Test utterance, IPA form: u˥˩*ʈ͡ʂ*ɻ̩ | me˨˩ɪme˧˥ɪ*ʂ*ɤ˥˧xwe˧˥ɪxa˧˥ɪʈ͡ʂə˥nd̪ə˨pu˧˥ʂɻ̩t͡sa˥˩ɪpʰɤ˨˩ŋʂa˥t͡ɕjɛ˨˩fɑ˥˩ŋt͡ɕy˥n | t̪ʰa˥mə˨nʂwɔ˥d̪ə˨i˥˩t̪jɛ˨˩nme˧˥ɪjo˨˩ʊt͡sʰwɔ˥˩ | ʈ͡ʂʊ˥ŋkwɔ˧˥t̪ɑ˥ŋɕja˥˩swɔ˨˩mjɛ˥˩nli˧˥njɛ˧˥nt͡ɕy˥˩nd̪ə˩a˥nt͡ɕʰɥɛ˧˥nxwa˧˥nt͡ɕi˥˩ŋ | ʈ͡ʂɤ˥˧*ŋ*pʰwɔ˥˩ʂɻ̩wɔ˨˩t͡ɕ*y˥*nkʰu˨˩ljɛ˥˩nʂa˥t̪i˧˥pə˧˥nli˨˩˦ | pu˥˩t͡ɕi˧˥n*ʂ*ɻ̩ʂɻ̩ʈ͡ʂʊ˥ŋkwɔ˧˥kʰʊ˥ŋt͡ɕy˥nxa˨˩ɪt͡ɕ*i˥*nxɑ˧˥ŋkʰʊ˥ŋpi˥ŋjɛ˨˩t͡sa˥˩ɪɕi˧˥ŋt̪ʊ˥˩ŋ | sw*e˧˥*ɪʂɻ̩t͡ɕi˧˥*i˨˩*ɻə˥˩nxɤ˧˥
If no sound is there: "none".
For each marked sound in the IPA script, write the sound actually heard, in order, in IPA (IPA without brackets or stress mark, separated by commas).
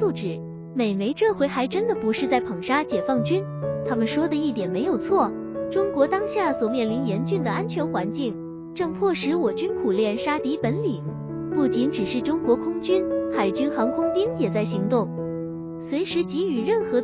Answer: ʈ͡ʂ, ʈ͡ʂ, ŋ, y˥, ʈ͡ʂ, y˥, e˧˥, y˨˩